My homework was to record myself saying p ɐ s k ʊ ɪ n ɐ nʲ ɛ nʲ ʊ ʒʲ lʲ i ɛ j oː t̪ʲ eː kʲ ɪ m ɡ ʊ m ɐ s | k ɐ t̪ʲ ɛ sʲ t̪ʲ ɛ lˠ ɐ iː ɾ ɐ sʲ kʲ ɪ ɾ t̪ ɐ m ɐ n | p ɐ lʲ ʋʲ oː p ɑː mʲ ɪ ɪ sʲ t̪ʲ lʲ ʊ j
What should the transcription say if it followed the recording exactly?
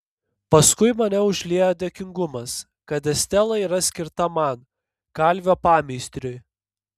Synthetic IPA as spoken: p ɐ s k ʊ ɪ m ɐ nʲ ɛ ʊ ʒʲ lʲ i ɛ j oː d̪ʲ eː kʲ ɪ ŋ ɡ ʊ m ɐ s | k ɐ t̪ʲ ɛ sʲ t̪ʲ ɛ lˠ ɐ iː ɾ ɐ sʲ kʲ ɪ ɾ t̪ ɐ m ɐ n | k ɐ lʲ ʋʲ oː p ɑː mʲ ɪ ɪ sʲ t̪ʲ ɾʲ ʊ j